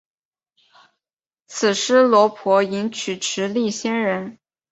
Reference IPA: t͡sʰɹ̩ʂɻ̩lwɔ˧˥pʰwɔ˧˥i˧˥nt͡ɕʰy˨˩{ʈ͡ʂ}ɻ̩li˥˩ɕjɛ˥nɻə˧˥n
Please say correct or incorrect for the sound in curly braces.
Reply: incorrect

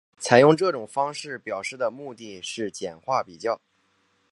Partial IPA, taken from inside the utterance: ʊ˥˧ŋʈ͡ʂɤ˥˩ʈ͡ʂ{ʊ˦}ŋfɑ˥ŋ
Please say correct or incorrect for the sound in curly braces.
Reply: incorrect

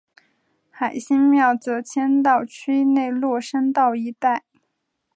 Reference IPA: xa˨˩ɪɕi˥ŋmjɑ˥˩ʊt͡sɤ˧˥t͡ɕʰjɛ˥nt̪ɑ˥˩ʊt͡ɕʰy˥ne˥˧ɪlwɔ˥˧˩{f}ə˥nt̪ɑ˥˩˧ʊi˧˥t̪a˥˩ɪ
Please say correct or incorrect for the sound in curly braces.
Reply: incorrect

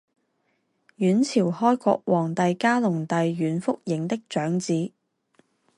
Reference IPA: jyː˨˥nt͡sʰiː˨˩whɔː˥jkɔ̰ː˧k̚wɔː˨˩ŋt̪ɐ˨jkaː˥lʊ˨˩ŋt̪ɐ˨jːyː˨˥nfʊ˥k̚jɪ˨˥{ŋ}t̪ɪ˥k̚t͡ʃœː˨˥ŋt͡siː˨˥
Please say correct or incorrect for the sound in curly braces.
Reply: correct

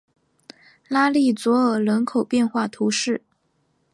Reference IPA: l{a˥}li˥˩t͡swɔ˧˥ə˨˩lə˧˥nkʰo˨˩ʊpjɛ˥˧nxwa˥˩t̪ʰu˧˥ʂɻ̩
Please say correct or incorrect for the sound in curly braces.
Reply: correct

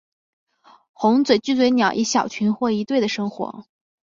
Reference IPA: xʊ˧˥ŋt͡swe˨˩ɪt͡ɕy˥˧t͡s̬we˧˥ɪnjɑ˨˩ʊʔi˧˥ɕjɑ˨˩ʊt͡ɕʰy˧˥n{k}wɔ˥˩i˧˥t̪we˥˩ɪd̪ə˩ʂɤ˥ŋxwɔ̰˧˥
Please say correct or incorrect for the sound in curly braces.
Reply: incorrect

